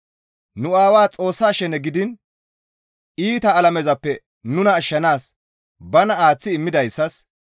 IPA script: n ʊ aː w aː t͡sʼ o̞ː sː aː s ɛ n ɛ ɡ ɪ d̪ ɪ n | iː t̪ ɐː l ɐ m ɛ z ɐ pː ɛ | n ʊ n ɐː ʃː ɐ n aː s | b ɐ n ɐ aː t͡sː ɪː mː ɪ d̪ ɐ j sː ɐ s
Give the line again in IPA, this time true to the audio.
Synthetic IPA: n ʊ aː w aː t͡sʼ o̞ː sː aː ʃ ɛ n ɛ ɡ ɪ d̪ ɪ n | iː t̪ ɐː l ɐ m ɛ z ɐ pː ɛ | n ʊ n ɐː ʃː ɐ n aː s | b ɐ n ɐ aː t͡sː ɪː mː ɪ d̪ ɐ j sː ɐ s

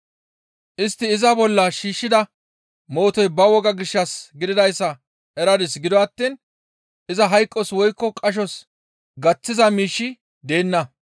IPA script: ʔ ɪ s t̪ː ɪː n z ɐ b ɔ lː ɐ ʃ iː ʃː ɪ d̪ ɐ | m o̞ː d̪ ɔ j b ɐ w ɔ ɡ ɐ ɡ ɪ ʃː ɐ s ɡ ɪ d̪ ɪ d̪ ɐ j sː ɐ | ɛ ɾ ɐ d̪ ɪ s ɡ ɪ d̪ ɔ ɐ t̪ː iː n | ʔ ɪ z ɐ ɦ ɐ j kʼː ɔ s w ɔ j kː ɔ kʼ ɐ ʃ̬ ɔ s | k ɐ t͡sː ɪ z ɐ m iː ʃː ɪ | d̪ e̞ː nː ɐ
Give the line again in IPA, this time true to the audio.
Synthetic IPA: ʔ ɪ s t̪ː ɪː z ɐ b ɔ lː ɐ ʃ iː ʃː ɪ d̪ ɐ | m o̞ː t̪ ɔ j b ɐ w ɔ ɡ ɐ ɡ ɪ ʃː ɐ s ɡ ɪ d̪ ɪ d̪ ɐ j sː ɐ | ɛ ɾ ɐ d̪ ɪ s ɡ ɪ d̪ ɔ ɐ t̪ː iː n | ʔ ɪ z ɐ ɦ ɐ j kʼː ɔ s w ɔ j kː ɔ kʼ ɐ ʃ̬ ɔ s | ɡ ɐ t͡sː ɪ z ɐ m iː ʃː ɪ | d̪ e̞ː nː ɐ

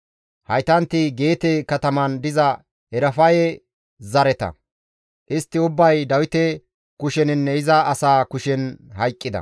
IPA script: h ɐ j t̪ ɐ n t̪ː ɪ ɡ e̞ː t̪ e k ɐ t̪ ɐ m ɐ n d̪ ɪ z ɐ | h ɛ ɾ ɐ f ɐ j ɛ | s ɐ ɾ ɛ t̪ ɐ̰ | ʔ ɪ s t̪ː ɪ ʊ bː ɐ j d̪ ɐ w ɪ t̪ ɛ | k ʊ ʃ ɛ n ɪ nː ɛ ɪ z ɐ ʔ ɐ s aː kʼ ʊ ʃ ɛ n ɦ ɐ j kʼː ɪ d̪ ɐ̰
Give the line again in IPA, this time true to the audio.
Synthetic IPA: h ɐ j t̪ ɐ n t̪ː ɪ ɡ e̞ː t̪ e k ɐ t̪ ɐ m ɐ n d̪ ɪ z ɐ | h ɛ ɾ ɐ f ɐ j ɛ | z ɐ ɾ ɛ t̪ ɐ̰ | ʔ ɪ s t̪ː ɪ ʊ bː ɐ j d̪ ɐ w ɪ t̪ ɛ | k ʊ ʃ ɛ n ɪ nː ɛ ɪ z ɐ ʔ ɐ s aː k ʊ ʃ ɛ n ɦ ɐ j kʼː ɪ d̪ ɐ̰

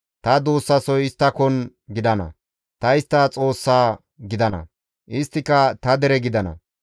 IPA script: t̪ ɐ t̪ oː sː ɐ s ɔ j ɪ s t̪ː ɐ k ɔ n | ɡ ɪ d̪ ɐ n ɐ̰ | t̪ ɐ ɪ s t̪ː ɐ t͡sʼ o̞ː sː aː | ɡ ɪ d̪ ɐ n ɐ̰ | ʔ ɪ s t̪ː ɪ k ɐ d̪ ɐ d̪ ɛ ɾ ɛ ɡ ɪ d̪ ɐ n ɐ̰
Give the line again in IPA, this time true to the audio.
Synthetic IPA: t̪ ɐ d̪ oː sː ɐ s ɔ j ɪ s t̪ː ɐ k ɔ n | ɡ ɪ d̪ ɐ n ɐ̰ | t̪ ɐ ɪ s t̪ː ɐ t͡sʼ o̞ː sː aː | ɡ ɪ d̪ ɐ n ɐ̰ | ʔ ɪ s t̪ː ɪ k ɐ t̪ ɐ d̪ ɛ ɾ ɛ ɡ ɪ d̪ ɐ n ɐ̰

